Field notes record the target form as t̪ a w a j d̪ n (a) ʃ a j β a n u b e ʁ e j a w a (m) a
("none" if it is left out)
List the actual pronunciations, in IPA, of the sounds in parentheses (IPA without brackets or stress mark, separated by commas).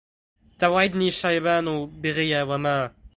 i, m